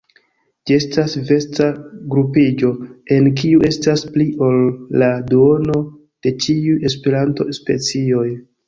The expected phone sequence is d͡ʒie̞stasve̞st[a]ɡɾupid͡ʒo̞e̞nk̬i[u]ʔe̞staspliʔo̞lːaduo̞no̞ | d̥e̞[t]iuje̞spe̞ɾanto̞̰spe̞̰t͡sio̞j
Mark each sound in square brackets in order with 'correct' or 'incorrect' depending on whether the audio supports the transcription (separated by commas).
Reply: correct, correct, incorrect